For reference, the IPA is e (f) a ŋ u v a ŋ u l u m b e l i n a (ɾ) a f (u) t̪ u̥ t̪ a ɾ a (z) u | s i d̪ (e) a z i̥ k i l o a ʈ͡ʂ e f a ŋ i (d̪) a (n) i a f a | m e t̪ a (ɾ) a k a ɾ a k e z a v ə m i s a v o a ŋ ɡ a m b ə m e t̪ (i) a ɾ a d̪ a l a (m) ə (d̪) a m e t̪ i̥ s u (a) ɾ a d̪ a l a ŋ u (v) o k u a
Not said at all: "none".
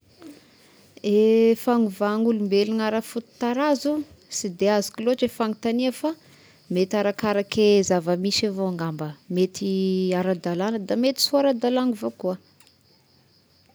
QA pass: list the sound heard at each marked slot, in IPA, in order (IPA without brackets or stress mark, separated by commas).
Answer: f, ɾ, u, z, e, t̪, n, ɾ, i, n, d̪, a, v